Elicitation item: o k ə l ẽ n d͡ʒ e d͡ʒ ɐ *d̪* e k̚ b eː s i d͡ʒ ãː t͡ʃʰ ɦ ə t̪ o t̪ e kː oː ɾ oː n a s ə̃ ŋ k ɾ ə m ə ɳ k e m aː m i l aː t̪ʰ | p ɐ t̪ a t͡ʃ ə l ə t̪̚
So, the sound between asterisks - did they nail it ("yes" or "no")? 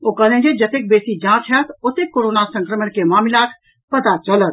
no